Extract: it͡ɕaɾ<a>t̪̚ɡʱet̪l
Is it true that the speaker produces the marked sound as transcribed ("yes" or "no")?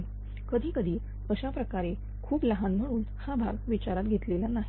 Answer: yes